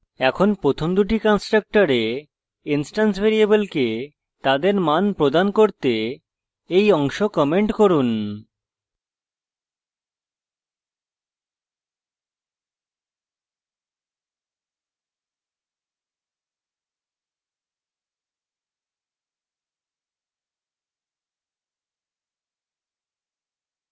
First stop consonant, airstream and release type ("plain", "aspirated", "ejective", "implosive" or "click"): aspirated